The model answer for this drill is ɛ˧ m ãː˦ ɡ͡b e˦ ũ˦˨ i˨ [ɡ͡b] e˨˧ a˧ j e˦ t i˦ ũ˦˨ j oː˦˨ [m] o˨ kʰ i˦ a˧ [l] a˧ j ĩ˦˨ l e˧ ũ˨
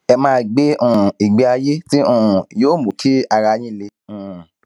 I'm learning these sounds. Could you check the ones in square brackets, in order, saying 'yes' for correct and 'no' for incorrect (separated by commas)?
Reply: yes, yes, no